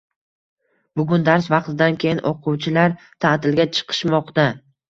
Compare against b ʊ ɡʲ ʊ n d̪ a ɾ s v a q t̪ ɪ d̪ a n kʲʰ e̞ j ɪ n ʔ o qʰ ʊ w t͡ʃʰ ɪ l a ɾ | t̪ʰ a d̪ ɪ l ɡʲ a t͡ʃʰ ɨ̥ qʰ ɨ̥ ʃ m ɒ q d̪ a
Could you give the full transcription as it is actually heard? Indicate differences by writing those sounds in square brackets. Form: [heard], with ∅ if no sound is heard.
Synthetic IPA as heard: b ʊ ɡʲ ʊ n d̪ a ɾ s v [ɑ] q t̪ ɪ d̪ a n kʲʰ e̞ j ɪ n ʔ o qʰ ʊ w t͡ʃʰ ɪ l a ɾ | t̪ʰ a [t̪] ɪ l ɡʲ a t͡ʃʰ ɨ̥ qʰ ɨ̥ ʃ m ɒ q [t̪] a